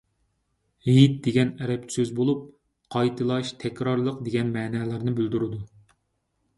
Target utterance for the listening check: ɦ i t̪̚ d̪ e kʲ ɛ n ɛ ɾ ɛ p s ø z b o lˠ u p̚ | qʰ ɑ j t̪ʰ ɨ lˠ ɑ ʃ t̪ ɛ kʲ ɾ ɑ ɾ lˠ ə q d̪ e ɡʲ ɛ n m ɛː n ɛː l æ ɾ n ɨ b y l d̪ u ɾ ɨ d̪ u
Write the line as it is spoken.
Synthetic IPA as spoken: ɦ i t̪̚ d̪ e ɡʲ ɛ n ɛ ɾ ɛ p s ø z b o lˠ u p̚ | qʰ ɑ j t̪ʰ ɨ lˠ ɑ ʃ t̪ʰ ɛ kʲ ɾ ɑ ɾ lˠ ə q d̪ e ɡʲ ɛ n m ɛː n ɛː l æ ɾ n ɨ b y l d̪ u ɾ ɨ d̪ u